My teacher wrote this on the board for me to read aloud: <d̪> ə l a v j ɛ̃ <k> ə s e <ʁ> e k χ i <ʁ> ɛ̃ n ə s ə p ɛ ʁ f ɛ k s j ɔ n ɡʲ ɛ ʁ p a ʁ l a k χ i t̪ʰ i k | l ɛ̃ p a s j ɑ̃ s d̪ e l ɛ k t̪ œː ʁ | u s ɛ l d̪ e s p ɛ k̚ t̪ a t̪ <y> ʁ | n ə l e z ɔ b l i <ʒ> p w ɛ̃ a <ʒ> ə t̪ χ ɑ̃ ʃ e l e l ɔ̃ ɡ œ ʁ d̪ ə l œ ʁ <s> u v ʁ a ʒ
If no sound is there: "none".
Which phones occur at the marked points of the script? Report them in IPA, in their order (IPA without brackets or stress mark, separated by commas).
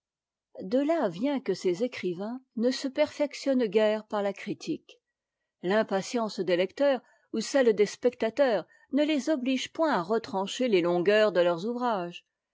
d̪, k, z, v, œ, ʒ, ʁ, z